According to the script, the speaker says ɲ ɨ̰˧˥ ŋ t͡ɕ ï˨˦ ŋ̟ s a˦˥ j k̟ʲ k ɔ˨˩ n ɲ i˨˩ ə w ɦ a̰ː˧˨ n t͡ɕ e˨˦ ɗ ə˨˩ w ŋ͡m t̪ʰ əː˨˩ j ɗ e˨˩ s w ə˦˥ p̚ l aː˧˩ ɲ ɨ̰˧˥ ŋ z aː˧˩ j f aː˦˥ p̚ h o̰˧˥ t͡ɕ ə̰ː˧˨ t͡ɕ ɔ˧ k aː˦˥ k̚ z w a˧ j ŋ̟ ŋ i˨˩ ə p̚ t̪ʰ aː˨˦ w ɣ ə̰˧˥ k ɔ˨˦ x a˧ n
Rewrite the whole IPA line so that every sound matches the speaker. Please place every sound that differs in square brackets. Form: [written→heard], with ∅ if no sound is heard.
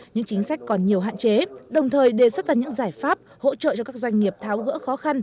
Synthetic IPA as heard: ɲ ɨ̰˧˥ ŋ t͡ɕ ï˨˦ ŋ̟ s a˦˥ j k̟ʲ k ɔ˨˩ n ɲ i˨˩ ə w ɦ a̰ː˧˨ n t͡ɕ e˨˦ ɗ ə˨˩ w ŋ͡m t̪ʰ əː˨˩ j ɗ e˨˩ s w ə˦˥ [p̚→t̚] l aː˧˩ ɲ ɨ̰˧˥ ŋ z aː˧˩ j f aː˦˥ p̚ h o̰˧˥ t͡ɕ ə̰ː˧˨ t͡ɕ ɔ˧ k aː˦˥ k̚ z w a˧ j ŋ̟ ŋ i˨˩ ə p̚ t̪ʰ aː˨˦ w ɣ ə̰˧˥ [k→x] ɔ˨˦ x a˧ n